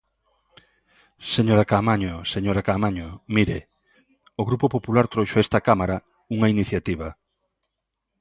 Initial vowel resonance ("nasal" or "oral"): oral